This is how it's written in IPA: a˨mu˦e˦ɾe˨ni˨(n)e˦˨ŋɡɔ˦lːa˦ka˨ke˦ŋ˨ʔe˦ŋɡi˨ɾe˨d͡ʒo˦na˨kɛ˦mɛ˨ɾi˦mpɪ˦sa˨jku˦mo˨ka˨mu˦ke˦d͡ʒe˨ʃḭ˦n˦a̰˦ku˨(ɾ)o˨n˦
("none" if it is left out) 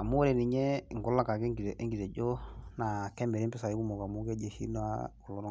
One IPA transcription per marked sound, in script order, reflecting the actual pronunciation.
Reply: ɲ, l

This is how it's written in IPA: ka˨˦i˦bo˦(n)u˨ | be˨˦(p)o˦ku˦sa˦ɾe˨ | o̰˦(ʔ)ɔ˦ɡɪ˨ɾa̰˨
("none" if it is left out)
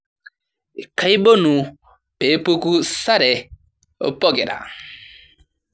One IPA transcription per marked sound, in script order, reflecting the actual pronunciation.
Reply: n, p, p

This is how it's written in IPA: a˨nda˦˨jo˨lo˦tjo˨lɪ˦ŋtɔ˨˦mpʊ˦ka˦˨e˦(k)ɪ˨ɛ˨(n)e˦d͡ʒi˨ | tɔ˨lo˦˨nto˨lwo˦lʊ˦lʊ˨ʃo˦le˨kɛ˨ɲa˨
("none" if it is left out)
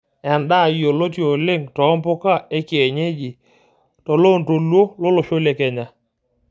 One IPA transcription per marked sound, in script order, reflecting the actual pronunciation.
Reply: k, ɲ

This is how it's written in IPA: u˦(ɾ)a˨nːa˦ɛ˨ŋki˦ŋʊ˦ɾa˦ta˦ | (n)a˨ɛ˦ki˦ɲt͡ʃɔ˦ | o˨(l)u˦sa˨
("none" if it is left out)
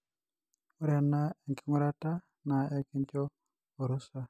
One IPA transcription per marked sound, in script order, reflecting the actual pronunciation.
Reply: ɾ, n, ɾ

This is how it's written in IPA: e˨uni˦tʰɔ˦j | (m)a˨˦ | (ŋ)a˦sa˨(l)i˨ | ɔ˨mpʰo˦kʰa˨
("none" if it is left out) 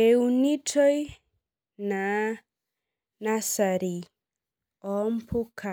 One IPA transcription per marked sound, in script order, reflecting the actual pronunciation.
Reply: n, n, ɾ

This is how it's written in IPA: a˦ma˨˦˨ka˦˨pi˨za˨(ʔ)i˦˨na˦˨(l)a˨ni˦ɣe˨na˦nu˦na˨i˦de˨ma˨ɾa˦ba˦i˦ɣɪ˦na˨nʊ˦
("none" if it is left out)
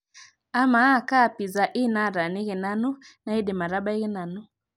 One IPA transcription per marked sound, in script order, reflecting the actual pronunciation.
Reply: ʔ, ɾ

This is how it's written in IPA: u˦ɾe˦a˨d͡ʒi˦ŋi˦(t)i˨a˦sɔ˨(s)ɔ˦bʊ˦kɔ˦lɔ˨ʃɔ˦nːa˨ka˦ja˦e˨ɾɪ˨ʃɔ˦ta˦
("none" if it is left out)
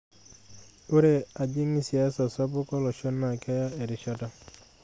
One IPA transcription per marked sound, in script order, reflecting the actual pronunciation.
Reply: s, s

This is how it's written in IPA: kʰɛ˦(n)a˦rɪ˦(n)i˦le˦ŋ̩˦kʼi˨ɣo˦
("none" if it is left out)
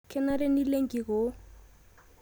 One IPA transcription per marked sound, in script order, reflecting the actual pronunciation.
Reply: n, n

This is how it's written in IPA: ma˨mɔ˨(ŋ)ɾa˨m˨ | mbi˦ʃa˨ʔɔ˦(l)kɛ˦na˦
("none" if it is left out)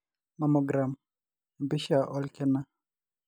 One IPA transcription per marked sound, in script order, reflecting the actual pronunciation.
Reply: ɡ, l

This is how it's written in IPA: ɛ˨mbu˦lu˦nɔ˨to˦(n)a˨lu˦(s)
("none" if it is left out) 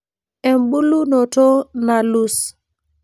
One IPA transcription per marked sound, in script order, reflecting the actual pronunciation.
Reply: n, s

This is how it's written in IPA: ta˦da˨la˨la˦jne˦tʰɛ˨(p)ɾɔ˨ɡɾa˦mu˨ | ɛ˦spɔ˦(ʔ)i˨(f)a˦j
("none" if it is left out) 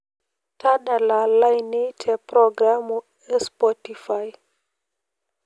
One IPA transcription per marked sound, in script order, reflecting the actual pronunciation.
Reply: p, t, f

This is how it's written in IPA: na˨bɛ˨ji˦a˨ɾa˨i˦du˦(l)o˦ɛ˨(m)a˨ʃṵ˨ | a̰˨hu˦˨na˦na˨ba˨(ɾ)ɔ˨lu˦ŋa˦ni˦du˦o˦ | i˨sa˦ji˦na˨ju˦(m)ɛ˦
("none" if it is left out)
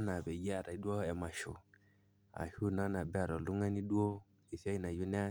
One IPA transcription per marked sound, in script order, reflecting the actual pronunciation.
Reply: none, m, ɾ, n

